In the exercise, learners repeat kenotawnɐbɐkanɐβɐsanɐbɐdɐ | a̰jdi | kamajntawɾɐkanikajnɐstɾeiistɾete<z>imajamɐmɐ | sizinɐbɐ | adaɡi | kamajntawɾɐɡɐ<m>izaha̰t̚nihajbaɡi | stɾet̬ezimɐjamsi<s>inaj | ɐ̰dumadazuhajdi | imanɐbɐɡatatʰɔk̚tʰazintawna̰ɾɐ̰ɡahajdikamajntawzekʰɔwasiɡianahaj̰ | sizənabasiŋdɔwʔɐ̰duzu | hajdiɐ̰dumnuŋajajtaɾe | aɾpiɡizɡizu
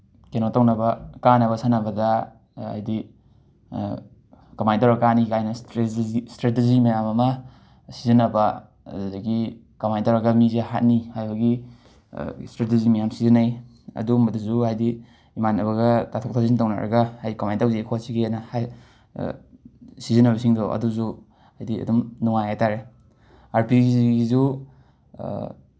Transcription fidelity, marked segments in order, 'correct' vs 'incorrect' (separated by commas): correct, correct, incorrect